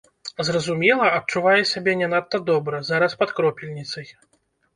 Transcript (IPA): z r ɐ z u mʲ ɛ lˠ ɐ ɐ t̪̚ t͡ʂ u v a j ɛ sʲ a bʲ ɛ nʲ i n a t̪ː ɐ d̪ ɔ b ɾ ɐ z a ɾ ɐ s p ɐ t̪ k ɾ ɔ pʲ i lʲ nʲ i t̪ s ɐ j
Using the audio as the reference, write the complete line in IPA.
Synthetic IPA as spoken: z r ɐ z u mʲ ɛ lˠ ɐ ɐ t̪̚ t͡ʂ u v a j ɛ sʲ a bʲ ɛ nʲ ɛ n a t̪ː ɐ d̪ ɔ b ɾ ɐ z a ɾ ɐ s p ɐ t̪ k ɾ ɔ pʲ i lʲ nʲ i t̪ s ɐ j